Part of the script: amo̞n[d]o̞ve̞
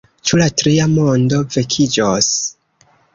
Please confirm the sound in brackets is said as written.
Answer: yes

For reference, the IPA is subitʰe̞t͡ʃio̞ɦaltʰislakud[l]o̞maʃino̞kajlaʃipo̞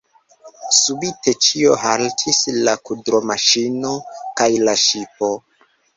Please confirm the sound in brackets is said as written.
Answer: no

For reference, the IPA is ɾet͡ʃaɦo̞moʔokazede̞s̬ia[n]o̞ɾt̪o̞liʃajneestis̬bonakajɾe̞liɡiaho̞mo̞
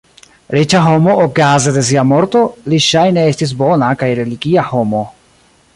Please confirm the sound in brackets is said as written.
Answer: no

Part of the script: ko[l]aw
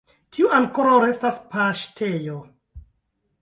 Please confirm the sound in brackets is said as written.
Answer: no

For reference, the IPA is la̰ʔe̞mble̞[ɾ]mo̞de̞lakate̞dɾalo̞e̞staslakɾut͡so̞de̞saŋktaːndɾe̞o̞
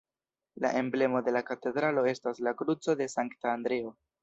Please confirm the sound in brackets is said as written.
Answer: no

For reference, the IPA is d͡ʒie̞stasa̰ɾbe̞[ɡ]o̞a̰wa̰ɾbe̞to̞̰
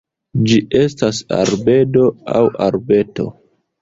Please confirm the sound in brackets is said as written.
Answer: no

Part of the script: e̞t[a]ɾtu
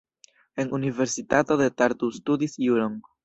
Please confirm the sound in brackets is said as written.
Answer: yes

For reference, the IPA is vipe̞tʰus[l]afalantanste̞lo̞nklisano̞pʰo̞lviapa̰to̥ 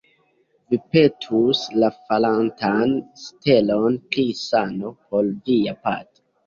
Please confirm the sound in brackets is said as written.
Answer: yes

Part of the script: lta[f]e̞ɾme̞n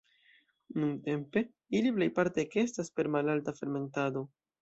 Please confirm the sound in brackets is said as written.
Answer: yes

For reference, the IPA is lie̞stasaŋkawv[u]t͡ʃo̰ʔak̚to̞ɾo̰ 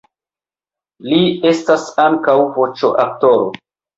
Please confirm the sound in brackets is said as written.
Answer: no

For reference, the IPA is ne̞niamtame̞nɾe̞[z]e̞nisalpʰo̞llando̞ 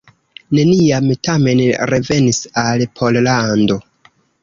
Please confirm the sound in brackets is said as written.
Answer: no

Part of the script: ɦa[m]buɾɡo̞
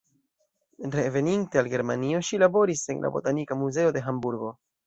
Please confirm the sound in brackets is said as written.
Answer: yes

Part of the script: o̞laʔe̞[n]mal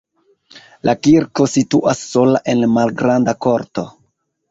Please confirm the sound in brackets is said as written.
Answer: yes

